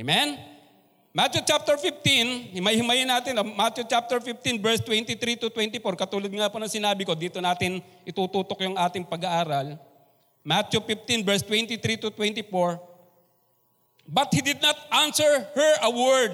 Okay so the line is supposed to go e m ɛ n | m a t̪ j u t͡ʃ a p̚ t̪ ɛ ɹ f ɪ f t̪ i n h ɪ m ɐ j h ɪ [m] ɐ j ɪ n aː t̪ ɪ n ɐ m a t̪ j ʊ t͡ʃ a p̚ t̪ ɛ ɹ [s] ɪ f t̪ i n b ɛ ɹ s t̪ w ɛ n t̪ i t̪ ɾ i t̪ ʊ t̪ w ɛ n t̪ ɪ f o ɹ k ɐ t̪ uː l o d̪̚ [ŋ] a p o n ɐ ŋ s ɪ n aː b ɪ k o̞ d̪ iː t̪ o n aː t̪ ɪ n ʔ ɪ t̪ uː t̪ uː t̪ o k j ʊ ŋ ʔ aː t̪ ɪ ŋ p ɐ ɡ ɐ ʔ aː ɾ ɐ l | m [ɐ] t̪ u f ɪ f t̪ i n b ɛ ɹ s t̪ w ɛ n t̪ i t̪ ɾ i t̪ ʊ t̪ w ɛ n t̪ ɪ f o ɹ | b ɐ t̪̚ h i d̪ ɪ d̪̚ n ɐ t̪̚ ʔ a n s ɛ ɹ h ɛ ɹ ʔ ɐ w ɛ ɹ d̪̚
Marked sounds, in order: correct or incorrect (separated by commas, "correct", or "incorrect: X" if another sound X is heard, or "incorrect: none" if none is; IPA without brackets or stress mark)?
correct, incorrect: f, correct, incorrect: a